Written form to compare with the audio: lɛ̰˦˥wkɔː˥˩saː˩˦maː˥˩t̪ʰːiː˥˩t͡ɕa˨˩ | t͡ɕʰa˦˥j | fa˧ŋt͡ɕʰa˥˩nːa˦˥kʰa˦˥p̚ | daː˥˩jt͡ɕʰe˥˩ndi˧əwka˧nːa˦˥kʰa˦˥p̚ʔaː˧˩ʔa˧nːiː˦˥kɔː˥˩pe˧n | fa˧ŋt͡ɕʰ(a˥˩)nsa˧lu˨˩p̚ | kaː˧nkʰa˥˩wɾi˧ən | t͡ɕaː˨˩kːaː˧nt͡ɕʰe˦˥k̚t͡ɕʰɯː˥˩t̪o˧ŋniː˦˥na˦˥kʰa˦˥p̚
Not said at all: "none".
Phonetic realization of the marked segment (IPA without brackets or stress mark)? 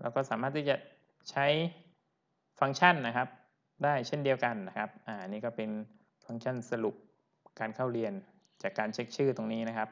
a˥˩